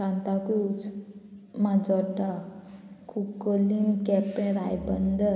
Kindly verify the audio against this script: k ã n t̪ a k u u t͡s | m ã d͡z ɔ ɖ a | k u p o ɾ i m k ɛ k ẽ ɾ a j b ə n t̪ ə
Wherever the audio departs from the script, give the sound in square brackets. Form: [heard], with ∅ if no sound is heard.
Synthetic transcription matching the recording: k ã n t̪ a k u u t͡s | m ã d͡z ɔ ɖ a | k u [k] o [l] i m k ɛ [p] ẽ ɾ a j b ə n [d̪] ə